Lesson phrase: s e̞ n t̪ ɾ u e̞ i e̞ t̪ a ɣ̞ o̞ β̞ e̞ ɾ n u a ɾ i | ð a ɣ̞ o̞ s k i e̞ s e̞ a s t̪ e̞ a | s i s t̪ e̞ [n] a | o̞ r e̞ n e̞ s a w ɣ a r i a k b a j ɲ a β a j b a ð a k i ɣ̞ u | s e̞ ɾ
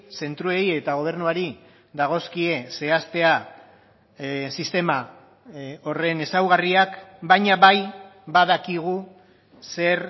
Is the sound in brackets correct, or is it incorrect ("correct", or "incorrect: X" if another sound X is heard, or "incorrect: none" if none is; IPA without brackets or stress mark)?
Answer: incorrect: m